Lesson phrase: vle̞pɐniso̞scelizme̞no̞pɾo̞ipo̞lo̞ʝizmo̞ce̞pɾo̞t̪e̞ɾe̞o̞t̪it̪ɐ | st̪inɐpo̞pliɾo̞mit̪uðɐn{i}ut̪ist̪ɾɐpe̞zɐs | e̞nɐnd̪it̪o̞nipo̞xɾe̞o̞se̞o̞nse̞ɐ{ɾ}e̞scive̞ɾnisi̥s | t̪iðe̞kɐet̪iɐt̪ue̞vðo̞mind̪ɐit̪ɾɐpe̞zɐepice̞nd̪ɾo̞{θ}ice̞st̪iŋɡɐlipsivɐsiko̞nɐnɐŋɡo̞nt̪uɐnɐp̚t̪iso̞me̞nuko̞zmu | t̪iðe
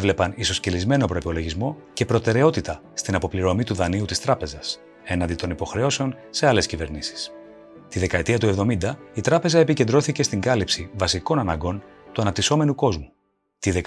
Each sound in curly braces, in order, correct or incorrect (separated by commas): correct, incorrect, correct